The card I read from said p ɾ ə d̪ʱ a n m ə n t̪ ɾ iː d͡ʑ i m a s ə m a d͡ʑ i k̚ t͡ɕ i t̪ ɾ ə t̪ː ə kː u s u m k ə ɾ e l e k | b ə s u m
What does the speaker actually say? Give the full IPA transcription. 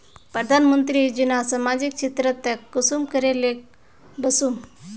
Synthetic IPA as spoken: p ɾ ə d̪ʱ a n m ə n t̪ ɾ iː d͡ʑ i n a s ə m a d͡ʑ i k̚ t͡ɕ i t̪ ɾ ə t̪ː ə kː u s u m k ə ɾ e l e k | b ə s u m